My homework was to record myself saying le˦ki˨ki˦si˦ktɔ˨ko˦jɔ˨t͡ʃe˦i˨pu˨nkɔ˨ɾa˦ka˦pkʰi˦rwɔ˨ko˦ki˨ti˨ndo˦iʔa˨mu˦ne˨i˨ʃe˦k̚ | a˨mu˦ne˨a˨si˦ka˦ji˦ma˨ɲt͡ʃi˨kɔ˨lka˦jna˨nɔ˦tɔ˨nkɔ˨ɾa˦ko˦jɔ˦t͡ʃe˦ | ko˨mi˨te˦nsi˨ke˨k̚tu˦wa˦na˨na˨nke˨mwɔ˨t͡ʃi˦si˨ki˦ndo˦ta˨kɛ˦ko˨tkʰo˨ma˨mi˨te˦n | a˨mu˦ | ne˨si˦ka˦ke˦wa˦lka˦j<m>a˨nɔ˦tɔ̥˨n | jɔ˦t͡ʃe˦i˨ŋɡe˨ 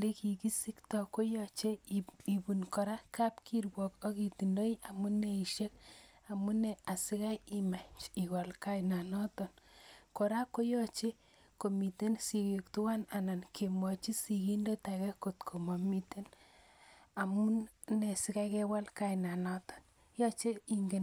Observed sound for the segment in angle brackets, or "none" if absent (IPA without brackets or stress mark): n